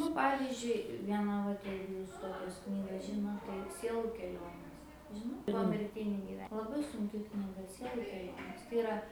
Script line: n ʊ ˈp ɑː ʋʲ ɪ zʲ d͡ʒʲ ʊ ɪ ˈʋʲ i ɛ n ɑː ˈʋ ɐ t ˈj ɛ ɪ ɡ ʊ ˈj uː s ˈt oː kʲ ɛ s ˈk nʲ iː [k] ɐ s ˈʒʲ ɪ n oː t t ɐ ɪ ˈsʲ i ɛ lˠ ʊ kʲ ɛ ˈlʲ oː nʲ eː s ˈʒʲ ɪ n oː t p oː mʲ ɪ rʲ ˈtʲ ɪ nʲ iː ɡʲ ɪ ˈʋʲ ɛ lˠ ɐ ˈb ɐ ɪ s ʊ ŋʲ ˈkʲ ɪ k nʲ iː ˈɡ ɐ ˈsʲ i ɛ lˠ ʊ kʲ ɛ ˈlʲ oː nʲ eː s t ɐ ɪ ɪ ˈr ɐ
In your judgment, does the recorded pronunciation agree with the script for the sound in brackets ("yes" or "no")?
no